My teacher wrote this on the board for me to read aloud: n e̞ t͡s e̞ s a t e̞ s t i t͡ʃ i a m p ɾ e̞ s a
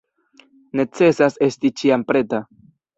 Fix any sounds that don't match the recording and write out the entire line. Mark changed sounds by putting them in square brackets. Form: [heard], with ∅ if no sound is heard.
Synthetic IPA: n e̞ t͡s e̞ s a [s] e̞ s t i t͡ʃ i a m p ɾ e̞ [t] a